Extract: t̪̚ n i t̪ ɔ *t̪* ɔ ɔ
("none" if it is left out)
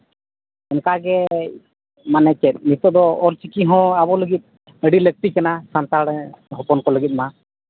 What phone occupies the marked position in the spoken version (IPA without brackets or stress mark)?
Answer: d̪